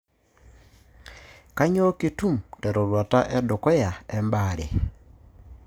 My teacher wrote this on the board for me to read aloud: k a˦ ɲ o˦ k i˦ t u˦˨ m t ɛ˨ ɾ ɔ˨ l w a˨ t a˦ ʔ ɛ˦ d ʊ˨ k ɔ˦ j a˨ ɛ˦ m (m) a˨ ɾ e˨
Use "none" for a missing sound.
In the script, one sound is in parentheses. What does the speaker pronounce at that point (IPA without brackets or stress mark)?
b